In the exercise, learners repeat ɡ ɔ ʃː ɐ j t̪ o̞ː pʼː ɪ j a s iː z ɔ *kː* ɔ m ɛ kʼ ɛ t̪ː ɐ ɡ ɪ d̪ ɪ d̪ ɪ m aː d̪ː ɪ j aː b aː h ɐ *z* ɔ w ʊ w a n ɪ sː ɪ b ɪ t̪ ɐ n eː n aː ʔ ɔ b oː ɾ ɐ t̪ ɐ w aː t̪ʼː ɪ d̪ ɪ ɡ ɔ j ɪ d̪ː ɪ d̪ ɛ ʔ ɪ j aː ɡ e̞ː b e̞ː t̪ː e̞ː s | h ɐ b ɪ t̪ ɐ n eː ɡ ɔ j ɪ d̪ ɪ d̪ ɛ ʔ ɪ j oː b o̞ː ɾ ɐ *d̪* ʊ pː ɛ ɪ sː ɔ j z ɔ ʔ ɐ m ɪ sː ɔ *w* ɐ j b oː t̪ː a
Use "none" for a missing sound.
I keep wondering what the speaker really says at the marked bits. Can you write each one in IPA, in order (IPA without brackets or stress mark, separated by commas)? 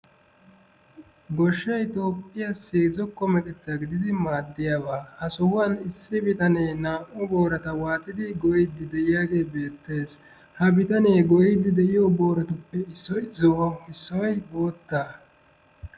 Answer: kː, s, t̪, w